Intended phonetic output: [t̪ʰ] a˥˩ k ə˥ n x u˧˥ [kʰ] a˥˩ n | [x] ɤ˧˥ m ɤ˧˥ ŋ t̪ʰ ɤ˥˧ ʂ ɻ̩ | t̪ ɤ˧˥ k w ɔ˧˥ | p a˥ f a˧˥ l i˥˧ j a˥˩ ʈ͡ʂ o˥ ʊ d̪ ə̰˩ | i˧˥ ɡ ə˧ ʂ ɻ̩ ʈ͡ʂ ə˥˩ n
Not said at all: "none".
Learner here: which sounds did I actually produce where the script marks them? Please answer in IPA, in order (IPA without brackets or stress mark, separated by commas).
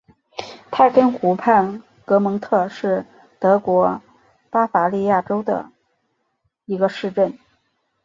t̪ʰ, pʰ, k